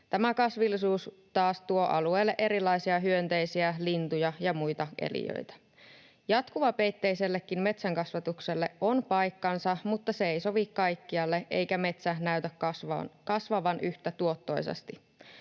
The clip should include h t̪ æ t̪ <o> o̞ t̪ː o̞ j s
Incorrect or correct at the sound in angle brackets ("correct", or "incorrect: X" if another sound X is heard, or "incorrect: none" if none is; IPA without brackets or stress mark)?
incorrect: u